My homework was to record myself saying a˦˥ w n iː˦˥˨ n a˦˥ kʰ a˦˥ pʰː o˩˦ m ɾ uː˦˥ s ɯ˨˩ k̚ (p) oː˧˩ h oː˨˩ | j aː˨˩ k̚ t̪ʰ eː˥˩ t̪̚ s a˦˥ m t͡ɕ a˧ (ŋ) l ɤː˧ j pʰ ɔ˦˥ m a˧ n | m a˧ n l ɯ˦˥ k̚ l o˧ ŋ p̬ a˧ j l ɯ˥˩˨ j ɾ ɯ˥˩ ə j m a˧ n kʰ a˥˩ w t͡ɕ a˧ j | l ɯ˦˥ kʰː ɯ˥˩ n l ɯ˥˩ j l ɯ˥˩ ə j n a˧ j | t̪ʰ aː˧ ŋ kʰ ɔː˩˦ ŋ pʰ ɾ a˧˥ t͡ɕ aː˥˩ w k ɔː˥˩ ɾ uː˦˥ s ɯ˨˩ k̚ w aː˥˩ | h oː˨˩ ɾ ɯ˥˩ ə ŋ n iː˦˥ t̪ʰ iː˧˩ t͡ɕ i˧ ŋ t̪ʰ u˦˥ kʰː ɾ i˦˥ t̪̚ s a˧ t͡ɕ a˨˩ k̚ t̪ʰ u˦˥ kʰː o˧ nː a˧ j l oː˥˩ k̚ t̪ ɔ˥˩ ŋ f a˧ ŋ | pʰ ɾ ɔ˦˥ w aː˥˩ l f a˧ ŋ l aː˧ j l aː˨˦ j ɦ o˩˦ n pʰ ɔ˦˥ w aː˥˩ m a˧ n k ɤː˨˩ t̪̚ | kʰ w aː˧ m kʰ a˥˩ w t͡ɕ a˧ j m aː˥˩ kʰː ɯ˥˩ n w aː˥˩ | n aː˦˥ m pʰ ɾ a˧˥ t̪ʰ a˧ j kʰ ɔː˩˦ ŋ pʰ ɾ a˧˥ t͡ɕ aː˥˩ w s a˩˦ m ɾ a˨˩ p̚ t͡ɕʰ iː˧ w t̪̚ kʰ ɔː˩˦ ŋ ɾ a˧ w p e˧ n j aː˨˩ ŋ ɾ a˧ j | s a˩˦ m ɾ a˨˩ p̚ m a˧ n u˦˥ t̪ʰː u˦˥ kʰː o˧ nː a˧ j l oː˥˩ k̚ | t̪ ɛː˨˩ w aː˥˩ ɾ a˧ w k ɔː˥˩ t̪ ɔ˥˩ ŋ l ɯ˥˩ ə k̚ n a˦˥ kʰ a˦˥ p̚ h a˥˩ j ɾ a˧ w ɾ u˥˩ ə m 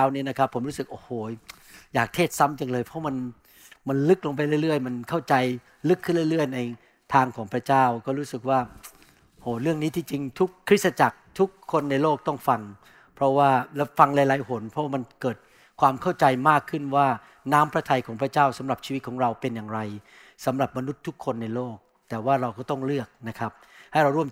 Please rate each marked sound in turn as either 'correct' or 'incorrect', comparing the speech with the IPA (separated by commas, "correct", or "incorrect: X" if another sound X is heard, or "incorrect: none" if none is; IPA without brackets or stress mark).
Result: incorrect: ʔ, correct